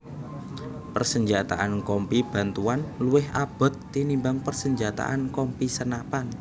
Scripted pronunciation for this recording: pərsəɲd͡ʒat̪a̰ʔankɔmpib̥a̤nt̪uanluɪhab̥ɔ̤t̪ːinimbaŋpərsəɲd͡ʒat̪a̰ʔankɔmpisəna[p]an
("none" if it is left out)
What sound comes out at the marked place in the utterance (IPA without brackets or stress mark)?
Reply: p